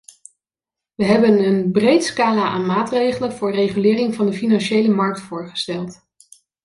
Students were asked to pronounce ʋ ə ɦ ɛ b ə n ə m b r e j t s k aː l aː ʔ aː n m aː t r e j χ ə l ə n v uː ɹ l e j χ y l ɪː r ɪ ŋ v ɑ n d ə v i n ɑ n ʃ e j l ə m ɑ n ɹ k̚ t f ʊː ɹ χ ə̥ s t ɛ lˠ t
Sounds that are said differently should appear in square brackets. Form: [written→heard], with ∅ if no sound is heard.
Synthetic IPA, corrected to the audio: ʋ ə ɦ ɛ b ə n ə [m→n] b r e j t s k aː l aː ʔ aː n m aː t r e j χ ə l ə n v [uː→ʊː] ɹ [l→r] e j χ y l ɪː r ɪ ŋ v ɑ n d ə [v→f] i n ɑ n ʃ e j l ə m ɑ [n→∅] ɹ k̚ t f ʊː ɹ χ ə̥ s t ɛ lˠ t